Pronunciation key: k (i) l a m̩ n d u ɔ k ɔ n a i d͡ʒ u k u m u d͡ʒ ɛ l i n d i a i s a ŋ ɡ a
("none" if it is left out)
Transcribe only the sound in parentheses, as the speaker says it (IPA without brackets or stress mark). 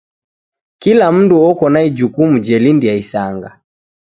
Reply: i